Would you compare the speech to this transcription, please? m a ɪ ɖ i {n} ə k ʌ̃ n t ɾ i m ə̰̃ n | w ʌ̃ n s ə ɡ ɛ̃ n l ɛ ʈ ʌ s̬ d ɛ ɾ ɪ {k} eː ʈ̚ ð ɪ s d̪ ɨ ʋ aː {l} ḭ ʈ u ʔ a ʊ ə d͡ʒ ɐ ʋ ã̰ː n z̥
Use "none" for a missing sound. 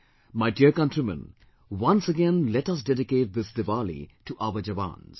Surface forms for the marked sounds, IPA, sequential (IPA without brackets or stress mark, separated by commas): none, k, l